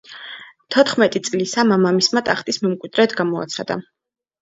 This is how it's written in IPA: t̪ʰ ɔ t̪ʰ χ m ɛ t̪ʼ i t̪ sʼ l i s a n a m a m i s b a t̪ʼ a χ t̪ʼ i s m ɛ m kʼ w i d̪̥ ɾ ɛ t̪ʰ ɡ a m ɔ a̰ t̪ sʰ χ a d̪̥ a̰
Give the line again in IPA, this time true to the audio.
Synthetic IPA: t̪ʰ ɔ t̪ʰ χ m ɛ t̪ʼ i t̪ sʼ l i s a m a m a m i s m a t̪ʼ a χ t̪ʼ i s m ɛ m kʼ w i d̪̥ ɾ ɛ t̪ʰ ɡ a m ɔ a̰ t̪ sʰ χ a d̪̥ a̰